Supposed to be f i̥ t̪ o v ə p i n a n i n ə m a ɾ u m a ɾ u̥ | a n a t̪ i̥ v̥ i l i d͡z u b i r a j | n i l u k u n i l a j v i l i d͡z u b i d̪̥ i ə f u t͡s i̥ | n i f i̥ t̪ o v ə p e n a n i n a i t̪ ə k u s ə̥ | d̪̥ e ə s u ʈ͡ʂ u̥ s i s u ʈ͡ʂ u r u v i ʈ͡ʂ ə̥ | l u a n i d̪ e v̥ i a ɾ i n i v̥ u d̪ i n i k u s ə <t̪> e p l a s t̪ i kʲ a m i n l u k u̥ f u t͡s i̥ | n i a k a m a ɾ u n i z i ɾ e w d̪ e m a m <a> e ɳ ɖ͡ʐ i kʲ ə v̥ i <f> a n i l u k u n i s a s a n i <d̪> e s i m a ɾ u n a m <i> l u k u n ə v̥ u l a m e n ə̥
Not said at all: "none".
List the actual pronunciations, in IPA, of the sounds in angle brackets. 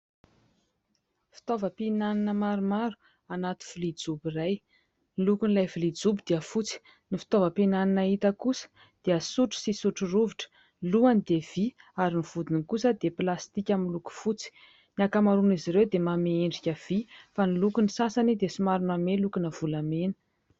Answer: d̪, e, f, d̪, e

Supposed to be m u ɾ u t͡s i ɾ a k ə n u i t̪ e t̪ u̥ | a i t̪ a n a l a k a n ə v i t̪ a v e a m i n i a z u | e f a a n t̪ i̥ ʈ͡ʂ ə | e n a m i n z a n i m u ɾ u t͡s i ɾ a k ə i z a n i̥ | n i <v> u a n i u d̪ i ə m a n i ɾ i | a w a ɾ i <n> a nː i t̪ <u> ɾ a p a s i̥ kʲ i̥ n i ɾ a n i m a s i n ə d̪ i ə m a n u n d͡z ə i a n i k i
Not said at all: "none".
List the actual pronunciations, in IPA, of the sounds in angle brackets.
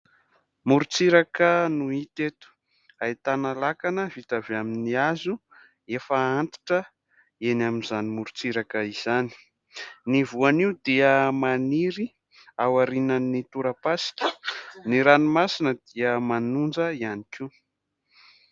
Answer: v, n, u

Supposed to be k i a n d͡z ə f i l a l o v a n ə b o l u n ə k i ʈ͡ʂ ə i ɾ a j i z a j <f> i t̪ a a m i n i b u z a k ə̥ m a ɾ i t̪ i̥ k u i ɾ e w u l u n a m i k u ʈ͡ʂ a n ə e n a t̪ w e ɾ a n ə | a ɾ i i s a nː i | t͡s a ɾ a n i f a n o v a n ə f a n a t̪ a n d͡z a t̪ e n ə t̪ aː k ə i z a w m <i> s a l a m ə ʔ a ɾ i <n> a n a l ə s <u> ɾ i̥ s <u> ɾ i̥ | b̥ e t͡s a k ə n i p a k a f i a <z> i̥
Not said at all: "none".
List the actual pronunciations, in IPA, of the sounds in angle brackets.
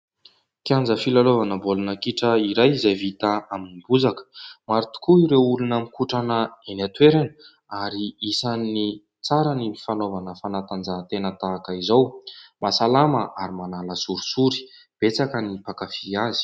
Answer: v, a, m, u, u, z

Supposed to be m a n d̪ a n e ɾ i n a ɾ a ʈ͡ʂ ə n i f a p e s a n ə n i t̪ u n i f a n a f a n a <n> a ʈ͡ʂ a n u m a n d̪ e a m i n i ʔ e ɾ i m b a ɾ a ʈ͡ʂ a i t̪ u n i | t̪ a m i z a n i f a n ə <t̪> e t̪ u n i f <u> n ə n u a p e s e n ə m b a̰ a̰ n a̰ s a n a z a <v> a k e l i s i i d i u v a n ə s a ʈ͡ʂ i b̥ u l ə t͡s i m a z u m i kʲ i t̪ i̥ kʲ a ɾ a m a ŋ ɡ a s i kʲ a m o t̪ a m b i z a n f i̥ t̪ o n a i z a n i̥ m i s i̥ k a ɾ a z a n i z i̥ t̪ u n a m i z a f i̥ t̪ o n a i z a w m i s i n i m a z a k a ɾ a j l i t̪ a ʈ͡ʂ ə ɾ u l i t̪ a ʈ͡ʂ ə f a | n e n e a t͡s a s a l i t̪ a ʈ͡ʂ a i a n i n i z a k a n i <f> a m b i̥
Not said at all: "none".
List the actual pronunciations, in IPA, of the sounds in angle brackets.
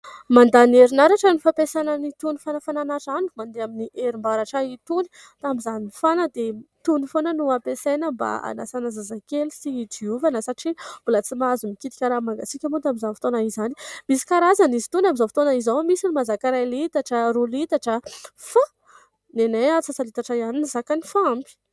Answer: n, d̪, o, z, f

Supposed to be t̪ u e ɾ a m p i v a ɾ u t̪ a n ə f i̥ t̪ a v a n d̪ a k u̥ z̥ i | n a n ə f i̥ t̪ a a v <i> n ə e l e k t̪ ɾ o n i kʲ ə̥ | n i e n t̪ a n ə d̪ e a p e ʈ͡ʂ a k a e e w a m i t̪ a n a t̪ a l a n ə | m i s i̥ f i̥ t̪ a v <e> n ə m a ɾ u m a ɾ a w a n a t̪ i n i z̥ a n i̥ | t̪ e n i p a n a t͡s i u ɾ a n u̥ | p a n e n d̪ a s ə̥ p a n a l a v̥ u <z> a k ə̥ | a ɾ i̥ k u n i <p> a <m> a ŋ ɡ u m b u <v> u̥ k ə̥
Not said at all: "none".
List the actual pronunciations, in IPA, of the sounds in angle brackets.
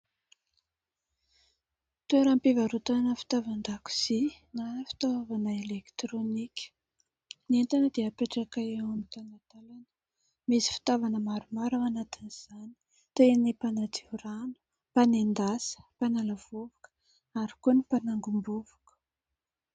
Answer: a, a, v, p, n, v

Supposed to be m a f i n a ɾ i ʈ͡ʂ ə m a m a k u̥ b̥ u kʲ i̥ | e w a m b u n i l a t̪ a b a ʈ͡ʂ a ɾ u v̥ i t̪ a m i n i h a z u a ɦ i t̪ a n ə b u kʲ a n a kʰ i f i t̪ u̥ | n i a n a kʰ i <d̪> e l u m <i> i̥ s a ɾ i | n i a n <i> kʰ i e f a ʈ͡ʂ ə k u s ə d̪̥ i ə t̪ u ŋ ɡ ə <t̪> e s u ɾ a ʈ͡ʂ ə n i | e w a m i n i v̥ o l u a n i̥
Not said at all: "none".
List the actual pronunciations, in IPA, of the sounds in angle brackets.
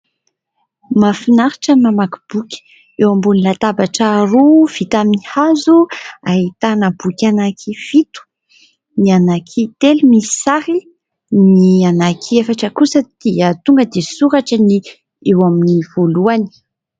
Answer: t̪, i, a, d̪

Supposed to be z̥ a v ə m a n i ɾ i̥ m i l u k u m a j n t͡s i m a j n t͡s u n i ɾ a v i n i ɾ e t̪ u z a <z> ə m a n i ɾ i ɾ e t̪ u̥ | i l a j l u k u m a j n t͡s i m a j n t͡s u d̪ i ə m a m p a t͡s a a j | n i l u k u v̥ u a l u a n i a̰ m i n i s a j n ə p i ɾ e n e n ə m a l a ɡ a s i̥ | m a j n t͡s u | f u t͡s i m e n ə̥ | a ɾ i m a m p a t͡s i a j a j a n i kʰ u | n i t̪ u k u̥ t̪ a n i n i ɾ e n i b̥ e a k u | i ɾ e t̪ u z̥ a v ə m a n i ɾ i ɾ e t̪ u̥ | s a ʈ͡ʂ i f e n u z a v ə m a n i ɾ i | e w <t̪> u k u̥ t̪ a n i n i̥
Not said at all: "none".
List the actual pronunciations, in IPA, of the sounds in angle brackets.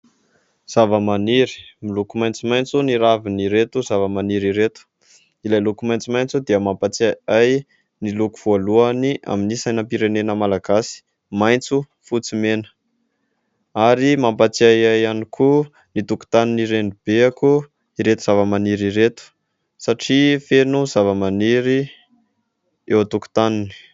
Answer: v, t̪

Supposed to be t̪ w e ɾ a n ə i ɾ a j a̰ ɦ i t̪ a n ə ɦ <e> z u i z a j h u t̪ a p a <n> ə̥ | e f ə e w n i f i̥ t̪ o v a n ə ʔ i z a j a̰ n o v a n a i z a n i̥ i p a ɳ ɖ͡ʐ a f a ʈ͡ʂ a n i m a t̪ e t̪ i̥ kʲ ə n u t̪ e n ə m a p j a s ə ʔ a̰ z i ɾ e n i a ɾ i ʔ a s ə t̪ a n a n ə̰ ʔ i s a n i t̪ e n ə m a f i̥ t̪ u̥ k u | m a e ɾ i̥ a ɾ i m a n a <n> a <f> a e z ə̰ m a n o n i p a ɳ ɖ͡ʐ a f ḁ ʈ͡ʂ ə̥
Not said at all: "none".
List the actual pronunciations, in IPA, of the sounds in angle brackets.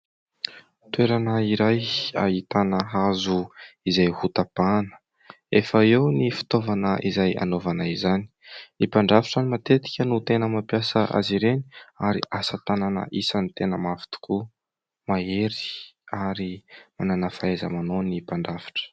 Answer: a, n, n, f

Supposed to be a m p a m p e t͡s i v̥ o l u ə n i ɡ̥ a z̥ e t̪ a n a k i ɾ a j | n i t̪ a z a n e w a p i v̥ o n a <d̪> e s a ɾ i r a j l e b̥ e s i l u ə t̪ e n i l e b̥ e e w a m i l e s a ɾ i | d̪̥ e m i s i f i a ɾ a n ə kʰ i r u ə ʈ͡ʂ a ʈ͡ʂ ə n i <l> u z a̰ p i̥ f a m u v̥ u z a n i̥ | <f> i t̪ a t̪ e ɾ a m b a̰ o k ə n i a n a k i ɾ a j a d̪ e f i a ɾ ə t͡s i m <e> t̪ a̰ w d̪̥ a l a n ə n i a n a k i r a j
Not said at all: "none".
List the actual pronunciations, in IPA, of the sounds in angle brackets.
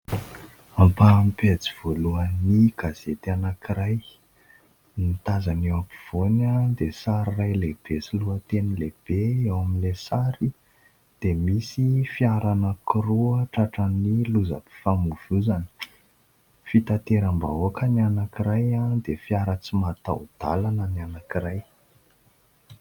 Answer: d̪, l, f, a

